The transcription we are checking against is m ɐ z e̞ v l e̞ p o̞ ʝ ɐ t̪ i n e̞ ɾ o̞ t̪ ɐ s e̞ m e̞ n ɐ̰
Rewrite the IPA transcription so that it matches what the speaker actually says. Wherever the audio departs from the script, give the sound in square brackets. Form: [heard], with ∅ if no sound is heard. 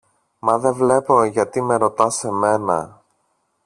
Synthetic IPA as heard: m ɐ [ð] e̞ v l e̞ p o̞ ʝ ɐ t̪ i [m] e̞ ɾ o̞ t̪ ɐ s e̞ m e̞ n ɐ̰